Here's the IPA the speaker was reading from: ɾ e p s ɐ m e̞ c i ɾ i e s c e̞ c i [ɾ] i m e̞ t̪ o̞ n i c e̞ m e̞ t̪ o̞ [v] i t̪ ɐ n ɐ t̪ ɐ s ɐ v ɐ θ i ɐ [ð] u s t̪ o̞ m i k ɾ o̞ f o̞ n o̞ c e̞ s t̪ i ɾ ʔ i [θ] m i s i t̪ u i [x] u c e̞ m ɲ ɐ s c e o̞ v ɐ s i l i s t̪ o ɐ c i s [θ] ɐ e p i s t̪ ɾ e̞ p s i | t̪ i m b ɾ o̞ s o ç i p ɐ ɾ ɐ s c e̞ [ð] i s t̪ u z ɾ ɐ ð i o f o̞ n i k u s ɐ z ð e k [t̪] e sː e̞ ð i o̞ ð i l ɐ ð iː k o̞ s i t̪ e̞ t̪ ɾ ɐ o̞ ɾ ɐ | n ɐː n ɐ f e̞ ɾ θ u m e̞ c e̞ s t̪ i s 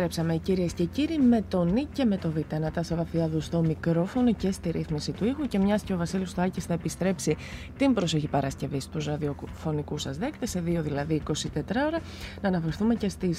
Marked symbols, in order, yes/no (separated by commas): yes, yes, yes, yes, yes, yes, no, yes